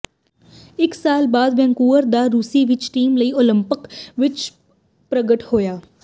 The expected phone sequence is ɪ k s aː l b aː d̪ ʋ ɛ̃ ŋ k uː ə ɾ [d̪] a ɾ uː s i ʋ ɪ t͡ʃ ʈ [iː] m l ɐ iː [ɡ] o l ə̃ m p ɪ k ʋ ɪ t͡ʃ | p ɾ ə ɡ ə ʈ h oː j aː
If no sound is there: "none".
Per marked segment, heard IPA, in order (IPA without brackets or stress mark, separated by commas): d̪, iː, none